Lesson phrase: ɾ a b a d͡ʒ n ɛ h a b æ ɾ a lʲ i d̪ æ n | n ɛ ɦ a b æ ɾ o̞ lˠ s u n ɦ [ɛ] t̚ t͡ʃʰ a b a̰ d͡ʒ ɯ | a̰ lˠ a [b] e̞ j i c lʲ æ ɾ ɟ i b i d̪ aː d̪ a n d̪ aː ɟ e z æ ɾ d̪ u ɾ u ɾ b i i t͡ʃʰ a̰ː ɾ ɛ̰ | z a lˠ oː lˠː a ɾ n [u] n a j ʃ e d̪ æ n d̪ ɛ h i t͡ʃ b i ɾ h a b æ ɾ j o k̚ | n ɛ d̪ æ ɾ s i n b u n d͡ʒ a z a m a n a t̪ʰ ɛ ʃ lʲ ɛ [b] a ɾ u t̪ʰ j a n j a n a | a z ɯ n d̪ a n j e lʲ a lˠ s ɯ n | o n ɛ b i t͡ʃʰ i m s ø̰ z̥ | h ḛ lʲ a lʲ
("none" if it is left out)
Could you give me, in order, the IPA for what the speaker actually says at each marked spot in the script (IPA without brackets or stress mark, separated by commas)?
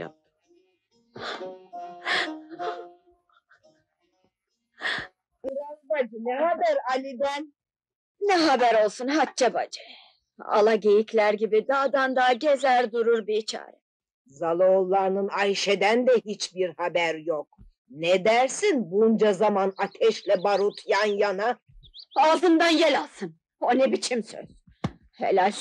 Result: a, ɟ, ɯ, b